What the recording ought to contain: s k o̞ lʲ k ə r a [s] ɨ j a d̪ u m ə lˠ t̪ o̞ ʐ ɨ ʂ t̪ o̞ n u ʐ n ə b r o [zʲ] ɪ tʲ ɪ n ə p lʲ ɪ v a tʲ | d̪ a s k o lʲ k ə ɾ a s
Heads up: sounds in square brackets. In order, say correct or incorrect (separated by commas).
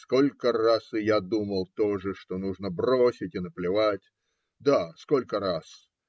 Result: correct, incorrect